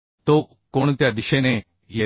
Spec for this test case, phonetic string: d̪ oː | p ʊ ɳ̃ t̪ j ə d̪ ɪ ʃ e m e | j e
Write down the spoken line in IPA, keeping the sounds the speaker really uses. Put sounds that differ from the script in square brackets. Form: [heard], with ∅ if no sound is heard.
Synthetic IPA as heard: [t̪] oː | [k] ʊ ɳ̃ t̪ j [a] d̪ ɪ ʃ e [n] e | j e